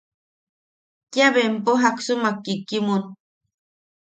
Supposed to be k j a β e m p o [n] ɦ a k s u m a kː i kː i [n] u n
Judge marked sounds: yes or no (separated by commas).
no, no